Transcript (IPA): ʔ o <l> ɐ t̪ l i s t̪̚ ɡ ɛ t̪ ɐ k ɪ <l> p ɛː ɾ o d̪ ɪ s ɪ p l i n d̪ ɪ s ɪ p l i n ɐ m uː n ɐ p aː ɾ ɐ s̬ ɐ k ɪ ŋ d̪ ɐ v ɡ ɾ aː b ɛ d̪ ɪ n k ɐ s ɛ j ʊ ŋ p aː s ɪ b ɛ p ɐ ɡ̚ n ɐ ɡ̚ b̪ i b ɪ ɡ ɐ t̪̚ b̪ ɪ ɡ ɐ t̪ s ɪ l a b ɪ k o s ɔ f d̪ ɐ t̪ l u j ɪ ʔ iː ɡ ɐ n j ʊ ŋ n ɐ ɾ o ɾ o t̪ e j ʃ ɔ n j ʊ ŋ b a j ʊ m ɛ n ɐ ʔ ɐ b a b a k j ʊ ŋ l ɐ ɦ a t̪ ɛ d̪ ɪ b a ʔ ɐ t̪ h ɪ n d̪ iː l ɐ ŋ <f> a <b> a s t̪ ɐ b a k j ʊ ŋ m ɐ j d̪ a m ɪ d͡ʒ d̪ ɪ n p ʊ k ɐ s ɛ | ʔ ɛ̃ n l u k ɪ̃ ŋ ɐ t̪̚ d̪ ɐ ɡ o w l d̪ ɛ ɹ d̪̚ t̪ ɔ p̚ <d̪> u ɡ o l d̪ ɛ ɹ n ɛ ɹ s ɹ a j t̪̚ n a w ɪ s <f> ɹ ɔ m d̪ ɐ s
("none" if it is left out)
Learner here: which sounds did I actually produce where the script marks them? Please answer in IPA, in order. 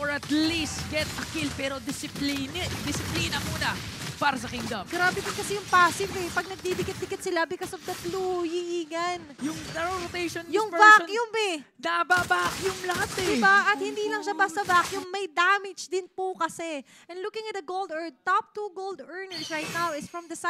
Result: ɹ, l, ʃ, b, t̪, f

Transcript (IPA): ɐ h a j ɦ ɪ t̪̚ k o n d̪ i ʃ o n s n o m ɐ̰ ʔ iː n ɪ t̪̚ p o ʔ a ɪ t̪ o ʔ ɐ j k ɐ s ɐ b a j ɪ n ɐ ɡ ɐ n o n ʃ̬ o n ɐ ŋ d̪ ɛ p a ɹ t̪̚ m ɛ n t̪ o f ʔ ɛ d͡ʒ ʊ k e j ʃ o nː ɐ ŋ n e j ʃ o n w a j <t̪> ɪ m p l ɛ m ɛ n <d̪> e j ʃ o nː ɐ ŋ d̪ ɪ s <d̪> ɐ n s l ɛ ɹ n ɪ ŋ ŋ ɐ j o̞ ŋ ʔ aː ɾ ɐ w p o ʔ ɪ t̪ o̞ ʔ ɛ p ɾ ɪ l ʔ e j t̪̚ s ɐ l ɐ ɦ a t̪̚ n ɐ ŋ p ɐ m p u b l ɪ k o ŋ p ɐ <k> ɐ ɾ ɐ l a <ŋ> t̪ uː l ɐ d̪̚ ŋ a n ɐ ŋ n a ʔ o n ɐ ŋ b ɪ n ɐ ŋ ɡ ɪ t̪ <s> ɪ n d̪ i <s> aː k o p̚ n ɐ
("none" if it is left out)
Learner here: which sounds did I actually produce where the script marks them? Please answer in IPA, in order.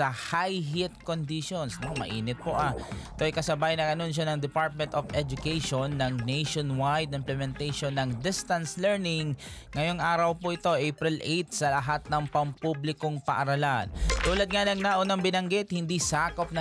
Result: d̪, t̪, t̪, ʔ, n, h, s

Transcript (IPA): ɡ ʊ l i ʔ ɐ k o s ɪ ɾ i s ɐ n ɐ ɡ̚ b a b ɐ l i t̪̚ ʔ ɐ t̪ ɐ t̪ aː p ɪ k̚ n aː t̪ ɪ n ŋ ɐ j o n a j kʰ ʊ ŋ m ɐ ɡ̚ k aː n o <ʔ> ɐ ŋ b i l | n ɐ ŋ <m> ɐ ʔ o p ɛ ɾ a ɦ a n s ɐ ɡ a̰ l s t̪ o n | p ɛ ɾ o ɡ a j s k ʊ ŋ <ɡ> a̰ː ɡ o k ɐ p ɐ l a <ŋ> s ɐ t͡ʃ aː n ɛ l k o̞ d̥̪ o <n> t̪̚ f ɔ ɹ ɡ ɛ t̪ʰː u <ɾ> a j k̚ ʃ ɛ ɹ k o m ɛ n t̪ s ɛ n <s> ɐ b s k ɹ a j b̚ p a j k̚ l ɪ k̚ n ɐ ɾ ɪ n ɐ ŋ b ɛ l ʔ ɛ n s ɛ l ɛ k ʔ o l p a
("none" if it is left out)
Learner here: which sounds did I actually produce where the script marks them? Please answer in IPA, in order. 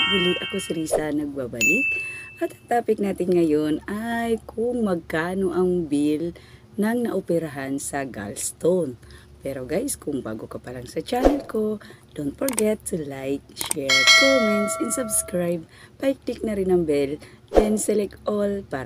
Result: ʔ, n, b, ŋ, n, l, s

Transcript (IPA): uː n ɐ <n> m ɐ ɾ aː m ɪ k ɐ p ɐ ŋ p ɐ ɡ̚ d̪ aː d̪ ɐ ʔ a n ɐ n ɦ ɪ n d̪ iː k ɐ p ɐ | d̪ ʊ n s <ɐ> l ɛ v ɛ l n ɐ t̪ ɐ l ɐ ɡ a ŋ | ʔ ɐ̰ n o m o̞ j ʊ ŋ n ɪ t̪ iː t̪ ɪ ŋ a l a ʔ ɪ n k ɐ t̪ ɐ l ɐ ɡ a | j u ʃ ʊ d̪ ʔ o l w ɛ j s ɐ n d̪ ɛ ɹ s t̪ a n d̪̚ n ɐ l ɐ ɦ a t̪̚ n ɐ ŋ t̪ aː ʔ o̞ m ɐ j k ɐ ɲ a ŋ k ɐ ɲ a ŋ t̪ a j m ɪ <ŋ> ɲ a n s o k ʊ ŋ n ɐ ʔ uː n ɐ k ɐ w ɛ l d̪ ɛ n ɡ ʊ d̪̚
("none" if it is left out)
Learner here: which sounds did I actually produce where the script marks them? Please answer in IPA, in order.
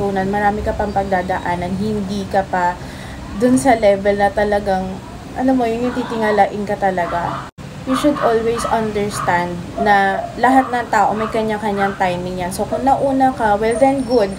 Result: n, ɐ, ŋ

